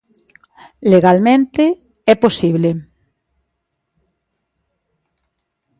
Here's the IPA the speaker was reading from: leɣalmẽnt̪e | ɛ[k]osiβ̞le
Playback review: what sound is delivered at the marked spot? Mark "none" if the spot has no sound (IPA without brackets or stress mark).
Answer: p